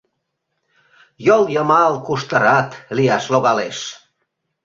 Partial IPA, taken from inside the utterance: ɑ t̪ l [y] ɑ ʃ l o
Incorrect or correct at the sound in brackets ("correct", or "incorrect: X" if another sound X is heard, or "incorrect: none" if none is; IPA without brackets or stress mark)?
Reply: incorrect: i